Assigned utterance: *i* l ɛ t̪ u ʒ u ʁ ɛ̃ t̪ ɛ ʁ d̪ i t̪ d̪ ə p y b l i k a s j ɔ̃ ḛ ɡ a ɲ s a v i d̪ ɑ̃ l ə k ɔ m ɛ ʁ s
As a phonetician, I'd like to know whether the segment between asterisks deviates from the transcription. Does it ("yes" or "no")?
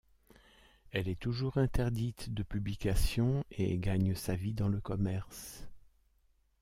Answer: yes